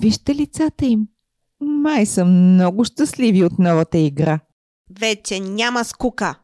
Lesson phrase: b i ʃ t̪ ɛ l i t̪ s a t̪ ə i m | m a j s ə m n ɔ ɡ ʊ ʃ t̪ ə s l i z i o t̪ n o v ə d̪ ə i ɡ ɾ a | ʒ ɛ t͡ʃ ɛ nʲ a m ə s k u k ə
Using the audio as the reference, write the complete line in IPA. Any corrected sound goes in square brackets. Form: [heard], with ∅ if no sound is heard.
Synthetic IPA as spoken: [v] i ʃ t̪ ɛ l i t̪ s a t̪ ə i m | m a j s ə m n ɔ ɡ ʊ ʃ t̪ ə s l i [v] i o t̪ n [ɔ] v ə [t̪] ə i ɡ ɾ a | [v] ɛ t͡ʃ ɛ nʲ a m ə s k u k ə